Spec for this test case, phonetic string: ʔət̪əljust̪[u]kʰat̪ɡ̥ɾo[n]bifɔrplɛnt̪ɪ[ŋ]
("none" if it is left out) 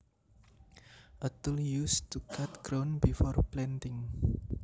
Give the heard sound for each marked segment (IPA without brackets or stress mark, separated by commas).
u, n, ŋ